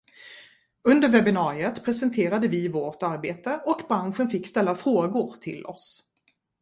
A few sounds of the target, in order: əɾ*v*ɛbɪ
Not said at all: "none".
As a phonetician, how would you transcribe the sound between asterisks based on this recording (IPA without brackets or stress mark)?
v